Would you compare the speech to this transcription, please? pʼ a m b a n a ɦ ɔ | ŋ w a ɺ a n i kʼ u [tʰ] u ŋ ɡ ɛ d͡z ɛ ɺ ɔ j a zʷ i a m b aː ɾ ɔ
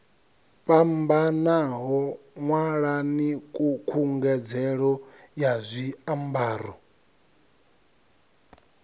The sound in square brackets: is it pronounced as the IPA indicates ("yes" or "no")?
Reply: no